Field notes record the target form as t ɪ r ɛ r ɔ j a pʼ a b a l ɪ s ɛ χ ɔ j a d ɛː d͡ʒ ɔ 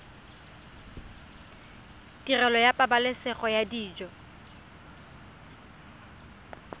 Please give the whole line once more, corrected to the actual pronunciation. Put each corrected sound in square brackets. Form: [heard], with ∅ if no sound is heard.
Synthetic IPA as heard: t [i] r ɛ [l] ɔ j a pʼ a b a l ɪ s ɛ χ ɔ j a d [iː] d͡ʒ ɔ